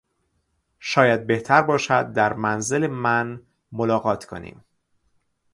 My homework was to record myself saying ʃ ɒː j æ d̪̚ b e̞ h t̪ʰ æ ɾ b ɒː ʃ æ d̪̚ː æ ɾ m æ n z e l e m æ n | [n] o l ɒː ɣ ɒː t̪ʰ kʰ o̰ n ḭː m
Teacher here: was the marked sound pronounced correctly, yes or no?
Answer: no